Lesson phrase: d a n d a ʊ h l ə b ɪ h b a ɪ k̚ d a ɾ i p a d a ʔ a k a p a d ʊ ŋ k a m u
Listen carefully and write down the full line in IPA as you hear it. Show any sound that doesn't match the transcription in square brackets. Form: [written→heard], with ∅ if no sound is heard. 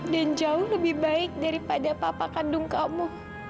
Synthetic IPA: d a n [d→d͡ʒ] a ʊ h l ə b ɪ h b a ɪ k̚ d a ɾ i p a d a [ʔ→p] a [k→p] a [p→k] a d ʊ ŋ k a m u